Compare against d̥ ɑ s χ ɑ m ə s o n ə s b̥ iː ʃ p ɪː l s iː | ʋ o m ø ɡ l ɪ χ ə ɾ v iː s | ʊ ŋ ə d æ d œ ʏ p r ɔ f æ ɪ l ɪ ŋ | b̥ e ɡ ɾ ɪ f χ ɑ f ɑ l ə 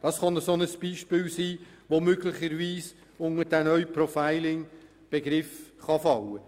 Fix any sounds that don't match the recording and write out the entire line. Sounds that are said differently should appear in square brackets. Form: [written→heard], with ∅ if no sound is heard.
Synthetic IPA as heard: d̥ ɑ s χ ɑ [m→n] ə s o n ə s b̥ iː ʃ p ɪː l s iː | ʋ o m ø ɡ l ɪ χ ə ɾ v iː s | ʊ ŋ ə d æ [d→n] œ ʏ p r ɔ f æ ɪ l ɪ ŋ | b̥ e ɡ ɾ ɪ f χ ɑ f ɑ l ə